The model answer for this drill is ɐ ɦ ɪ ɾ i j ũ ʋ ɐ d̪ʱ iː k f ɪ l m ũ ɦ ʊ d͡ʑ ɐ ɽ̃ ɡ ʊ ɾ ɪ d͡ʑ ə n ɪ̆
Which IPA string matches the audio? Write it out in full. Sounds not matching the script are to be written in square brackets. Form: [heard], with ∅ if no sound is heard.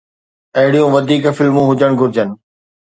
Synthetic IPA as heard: ɐ ɦ ɪ [ɽ] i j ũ ʋ ɐ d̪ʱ iː k f ɪ l m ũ ɦ ʊ d͡ʑ [ə] ɽ̃ ɡ ʊ ɾ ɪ d͡ʑ ə n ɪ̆